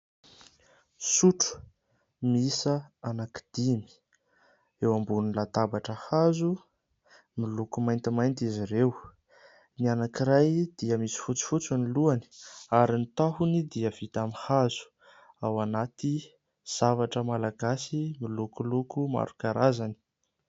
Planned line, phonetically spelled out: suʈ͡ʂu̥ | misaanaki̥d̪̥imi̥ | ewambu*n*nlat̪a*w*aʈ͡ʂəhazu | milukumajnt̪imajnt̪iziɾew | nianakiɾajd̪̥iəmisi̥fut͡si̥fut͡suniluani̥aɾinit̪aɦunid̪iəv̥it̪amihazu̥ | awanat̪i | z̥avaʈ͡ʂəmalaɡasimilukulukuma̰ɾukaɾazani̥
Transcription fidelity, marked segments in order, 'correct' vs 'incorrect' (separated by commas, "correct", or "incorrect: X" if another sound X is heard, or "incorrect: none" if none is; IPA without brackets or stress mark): correct, incorrect: b